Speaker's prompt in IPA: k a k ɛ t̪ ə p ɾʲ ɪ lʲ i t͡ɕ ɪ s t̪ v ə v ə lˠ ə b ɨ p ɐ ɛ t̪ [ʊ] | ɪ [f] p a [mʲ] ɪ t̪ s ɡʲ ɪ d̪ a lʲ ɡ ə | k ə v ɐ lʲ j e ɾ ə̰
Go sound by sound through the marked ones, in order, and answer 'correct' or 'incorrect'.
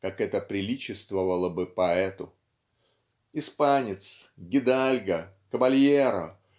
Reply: correct, incorrect: s, incorrect: nʲ

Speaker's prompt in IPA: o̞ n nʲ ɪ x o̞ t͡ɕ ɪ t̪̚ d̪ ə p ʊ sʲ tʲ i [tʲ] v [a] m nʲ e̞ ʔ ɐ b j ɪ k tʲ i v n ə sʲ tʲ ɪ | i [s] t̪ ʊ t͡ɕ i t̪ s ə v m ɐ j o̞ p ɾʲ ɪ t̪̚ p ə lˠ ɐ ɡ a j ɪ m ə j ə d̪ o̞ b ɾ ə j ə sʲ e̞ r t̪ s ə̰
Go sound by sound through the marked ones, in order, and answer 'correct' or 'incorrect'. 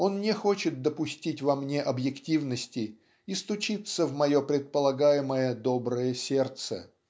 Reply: correct, incorrect: ɐ, correct

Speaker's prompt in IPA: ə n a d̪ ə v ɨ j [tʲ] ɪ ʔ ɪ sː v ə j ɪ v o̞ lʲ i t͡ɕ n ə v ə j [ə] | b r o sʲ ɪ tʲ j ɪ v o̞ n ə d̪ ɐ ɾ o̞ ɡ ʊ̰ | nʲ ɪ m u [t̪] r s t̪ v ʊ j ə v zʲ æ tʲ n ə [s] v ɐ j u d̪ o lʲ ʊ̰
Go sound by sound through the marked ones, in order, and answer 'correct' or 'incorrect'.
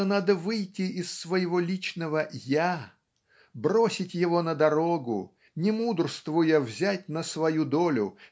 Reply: correct, incorrect: a, incorrect: d̪, correct

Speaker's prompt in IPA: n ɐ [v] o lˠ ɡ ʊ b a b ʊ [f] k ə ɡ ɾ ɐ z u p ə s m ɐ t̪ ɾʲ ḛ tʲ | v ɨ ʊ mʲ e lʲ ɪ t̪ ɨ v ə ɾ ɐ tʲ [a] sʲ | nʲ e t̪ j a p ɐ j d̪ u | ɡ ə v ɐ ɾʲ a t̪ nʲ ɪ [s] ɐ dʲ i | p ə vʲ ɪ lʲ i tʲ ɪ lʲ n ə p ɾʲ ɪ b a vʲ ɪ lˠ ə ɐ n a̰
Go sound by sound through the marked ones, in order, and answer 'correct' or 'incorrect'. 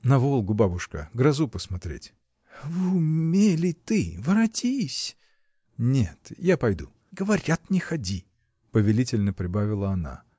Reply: correct, incorrect: ʂ, incorrect: i, incorrect: x

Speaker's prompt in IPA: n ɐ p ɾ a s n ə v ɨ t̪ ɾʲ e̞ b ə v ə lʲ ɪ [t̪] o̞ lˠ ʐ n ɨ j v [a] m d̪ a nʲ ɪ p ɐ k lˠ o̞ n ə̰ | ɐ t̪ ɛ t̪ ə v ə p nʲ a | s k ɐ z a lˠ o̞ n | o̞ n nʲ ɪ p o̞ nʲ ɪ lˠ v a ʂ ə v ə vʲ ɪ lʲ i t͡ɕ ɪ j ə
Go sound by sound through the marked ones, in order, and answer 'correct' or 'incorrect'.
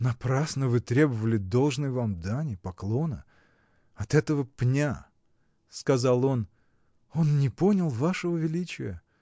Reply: incorrect: d̪, correct

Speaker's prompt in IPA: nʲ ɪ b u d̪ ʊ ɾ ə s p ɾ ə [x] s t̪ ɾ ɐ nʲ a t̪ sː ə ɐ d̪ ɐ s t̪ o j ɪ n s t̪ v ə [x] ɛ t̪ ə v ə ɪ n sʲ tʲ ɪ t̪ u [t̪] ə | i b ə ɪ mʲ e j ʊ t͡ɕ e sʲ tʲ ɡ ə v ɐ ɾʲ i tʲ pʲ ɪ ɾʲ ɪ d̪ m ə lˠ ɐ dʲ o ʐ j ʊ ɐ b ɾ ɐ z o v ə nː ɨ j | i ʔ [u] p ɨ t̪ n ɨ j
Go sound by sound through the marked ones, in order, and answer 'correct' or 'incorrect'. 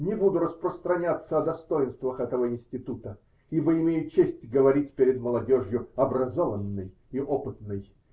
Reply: incorrect: none, correct, correct, incorrect: o

